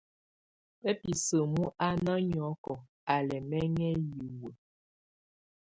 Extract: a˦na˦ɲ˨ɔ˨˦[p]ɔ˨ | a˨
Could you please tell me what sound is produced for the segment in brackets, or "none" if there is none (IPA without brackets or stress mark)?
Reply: k